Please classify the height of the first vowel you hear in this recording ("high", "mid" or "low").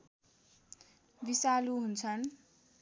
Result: high